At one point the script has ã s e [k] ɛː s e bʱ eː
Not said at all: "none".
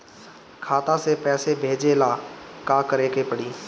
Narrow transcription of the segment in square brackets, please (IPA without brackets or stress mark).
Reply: p